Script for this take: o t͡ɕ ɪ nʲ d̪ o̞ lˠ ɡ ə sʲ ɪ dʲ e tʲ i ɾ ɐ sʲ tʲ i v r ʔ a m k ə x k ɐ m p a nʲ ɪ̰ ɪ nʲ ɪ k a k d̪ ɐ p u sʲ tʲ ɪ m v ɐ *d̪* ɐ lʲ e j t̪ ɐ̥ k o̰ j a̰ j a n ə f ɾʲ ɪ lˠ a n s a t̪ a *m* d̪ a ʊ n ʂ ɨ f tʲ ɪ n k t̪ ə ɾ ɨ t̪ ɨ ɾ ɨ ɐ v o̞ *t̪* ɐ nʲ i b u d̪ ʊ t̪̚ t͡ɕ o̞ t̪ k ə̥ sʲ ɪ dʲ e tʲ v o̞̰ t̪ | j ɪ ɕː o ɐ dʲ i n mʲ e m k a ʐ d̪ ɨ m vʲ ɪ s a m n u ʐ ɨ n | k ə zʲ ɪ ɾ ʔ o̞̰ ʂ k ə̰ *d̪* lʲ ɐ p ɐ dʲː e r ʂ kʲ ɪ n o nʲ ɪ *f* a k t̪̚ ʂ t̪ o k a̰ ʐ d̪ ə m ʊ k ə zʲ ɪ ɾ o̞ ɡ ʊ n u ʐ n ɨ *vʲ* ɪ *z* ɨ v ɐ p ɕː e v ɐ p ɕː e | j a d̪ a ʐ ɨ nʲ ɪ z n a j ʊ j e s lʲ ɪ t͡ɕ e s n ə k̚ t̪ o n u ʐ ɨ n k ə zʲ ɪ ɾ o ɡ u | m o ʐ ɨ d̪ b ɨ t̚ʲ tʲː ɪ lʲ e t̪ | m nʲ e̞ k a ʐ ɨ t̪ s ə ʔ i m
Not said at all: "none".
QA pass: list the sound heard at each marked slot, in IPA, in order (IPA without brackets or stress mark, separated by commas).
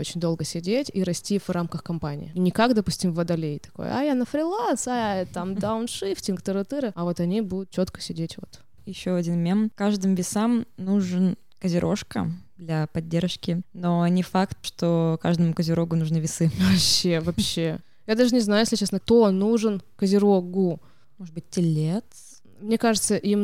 d̪, m, t̪, d̪, f, vʲ, s